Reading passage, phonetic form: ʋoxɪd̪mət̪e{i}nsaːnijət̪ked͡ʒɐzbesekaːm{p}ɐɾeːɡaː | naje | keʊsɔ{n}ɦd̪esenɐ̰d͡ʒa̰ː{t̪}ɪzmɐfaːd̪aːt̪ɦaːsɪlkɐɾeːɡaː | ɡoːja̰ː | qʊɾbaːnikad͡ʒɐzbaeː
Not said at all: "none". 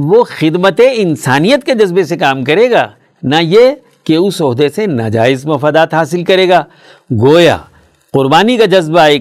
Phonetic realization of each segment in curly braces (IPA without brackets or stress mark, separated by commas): ɪ, k, none, none